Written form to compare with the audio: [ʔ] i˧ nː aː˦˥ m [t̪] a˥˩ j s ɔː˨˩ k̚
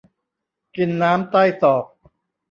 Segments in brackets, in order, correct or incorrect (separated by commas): incorrect, correct